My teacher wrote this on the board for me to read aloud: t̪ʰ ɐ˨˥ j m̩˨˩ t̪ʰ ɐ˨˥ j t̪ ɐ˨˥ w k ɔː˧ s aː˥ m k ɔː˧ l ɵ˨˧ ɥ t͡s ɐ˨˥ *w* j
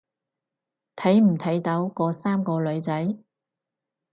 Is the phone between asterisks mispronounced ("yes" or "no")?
yes